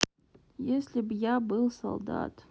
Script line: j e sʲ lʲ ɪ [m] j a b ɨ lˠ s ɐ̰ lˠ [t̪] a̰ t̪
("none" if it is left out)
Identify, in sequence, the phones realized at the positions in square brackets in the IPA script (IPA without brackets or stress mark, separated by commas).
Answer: b, d̪